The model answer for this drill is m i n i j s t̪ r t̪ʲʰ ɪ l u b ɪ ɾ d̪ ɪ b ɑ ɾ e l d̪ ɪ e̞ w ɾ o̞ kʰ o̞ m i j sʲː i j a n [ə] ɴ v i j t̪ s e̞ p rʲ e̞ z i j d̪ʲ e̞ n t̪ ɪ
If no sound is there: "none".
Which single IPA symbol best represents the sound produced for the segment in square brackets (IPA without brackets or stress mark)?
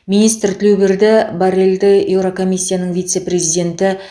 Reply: ə